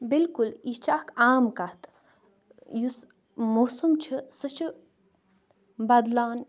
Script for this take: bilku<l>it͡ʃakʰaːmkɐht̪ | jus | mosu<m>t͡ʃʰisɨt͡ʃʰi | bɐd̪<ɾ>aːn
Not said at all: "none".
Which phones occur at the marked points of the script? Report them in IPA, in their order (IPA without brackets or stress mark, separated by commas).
l, m, l